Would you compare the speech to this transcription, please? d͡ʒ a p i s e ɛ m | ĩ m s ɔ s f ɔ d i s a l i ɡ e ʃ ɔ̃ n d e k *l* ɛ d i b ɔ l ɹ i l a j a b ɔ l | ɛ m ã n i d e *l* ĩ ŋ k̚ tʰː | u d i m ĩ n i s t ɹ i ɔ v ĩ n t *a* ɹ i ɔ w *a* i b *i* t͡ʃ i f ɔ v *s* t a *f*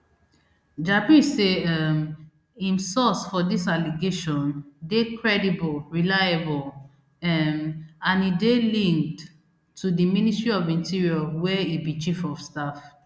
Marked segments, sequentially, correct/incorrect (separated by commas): incorrect, correct, incorrect, incorrect, correct, correct, correct